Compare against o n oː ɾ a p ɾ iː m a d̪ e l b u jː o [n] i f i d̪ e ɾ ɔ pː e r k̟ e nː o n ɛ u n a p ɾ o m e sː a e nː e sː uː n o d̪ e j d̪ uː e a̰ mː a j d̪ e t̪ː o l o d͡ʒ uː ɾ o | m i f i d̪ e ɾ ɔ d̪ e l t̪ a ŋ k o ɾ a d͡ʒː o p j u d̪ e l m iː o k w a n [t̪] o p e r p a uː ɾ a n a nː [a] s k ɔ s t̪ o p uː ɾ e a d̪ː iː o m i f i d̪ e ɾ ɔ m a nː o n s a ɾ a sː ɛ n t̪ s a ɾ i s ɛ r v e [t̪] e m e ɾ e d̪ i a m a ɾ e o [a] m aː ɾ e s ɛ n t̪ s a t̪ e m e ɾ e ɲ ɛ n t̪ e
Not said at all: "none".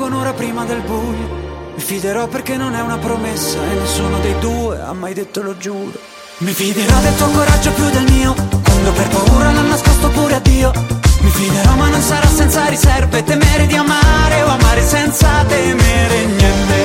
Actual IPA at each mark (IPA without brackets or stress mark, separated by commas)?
m, d̪, a, t̪, a